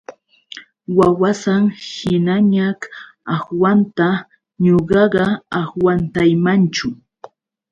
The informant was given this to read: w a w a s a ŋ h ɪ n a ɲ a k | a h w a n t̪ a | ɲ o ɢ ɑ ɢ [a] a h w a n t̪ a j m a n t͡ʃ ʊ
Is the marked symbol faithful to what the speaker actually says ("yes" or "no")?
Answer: no